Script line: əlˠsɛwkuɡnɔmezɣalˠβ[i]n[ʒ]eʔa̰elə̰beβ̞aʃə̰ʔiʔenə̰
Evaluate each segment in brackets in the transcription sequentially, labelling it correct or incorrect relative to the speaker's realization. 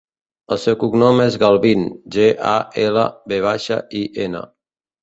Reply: correct, correct

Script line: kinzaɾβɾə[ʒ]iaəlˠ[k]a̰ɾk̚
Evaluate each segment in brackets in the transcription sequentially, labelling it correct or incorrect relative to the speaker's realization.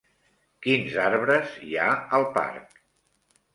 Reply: incorrect: z, incorrect: p

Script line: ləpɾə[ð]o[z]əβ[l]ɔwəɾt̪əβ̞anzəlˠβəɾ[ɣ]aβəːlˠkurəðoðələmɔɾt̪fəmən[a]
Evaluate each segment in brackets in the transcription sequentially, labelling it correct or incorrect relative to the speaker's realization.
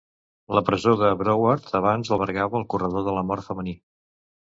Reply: incorrect: z, incorrect: ð, incorrect: ɾ, correct, incorrect: i

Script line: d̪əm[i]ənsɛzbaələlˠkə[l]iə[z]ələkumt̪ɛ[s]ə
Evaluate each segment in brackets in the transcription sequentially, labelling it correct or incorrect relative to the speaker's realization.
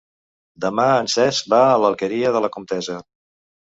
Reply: incorrect: a, incorrect: ɾ, incorrect: ð, incorrect: z

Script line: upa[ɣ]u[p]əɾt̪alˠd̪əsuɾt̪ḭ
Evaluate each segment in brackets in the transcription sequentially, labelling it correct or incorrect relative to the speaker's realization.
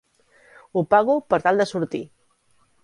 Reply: correct, correct

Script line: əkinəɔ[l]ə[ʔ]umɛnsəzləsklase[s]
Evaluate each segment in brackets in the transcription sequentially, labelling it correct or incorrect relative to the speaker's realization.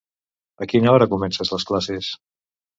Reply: incorrect: ɾ, incorrect: k, correct

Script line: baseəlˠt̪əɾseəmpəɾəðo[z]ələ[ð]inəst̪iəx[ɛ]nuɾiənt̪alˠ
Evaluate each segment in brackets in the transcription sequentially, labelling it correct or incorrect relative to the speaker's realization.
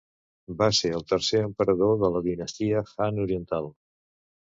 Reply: incorrect: ð, correct, incorrect: a

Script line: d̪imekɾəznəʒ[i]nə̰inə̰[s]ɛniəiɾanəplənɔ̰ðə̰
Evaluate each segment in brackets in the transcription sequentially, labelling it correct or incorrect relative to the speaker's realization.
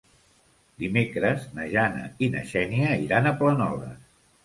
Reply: incorrect: a, incorrect: ʃ

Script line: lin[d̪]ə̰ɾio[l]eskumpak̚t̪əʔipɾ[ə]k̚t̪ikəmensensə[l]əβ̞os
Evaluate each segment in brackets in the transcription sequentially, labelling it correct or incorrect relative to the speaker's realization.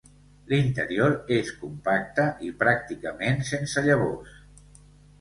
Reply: incorrect: t̪, incorrect: ɾ, incorrect: a, incorrect: ʎ

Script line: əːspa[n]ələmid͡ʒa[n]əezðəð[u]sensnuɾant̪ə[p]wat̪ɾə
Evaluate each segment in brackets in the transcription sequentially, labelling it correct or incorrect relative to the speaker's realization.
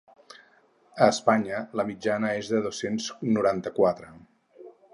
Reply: incorrect: ɲ, correct, incorrect: o, incorrect: k

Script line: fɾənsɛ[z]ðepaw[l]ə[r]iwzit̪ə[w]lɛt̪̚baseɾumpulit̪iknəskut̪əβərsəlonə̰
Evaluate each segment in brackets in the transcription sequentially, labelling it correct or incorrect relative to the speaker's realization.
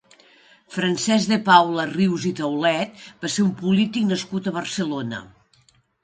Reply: correct, correct, correct, correct

